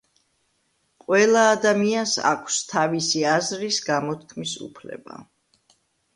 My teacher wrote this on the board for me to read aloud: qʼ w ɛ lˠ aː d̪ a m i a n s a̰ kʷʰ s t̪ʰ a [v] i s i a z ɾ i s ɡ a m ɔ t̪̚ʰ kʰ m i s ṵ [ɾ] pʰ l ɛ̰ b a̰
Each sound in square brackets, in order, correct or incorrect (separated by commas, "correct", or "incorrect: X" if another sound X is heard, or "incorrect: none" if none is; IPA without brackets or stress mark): correct, incorrect: none